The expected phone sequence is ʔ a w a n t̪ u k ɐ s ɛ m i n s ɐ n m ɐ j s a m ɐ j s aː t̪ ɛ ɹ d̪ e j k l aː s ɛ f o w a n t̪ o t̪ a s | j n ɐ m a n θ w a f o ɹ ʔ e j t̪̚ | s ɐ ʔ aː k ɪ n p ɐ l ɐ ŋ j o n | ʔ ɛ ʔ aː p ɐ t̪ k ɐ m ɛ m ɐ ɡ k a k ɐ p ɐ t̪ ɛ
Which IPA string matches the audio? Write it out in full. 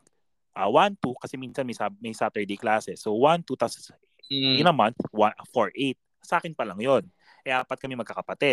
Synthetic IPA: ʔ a w a n t̪ u k ɐ s ɛ m i n s ɐ n m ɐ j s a m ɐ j s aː t̪ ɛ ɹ d̪ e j k l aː s ɛ s o w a n t̪ u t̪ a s | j n ɐ m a n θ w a f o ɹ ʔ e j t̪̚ | s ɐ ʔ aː k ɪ n p ɐ l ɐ ŋ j o n | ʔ ɛ ʔ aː p ɐ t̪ k ɐ m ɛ m ɐ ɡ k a k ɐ p ɐ t̪ ɛ